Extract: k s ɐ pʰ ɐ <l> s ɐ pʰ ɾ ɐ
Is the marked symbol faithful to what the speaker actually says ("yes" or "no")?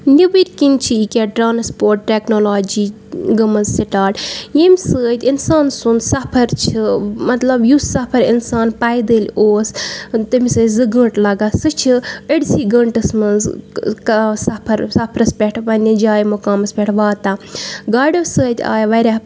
no